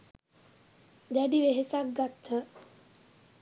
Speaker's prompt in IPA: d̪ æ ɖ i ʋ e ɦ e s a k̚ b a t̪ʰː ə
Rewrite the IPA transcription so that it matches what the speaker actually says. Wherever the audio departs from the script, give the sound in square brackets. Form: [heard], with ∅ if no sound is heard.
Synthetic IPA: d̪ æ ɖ i ʋ e ɦ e s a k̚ [ɡ] a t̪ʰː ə